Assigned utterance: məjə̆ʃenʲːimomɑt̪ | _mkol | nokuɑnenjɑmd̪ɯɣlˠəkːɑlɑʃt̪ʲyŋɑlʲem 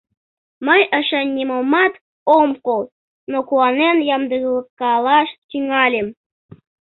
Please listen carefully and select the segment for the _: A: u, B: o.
B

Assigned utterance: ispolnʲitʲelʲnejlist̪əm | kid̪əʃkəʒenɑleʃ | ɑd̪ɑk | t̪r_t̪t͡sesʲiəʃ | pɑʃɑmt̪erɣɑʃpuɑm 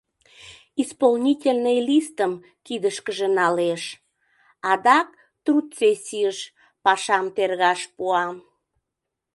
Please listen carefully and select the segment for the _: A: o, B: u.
B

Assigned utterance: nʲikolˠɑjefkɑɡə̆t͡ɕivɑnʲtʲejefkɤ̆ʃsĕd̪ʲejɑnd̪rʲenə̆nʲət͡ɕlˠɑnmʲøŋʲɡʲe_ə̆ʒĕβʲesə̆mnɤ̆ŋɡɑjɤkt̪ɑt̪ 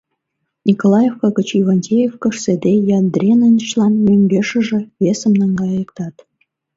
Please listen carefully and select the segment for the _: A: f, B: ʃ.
B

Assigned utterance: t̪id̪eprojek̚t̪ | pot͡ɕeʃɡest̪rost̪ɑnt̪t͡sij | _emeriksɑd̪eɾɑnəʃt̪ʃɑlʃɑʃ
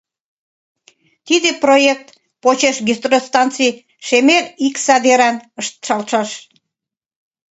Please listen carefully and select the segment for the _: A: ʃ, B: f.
A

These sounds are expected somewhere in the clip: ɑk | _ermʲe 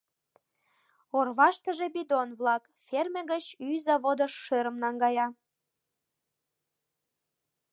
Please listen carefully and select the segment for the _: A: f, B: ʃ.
A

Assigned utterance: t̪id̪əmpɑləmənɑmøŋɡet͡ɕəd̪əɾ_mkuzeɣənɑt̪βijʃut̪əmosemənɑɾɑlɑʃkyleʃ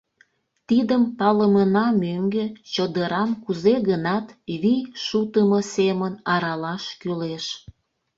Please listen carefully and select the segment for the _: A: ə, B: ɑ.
B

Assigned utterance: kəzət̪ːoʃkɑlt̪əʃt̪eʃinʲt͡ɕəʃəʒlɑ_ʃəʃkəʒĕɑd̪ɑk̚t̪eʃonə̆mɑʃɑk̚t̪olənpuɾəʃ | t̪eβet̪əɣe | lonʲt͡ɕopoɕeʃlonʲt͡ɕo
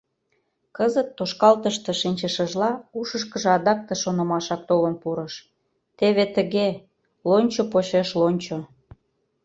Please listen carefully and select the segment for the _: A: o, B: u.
B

